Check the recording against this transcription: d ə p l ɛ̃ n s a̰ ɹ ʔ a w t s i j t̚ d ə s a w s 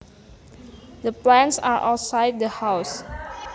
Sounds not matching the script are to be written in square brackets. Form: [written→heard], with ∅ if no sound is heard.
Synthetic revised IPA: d ə p l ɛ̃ n s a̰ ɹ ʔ a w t s [i→a] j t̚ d ə [s→h] a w s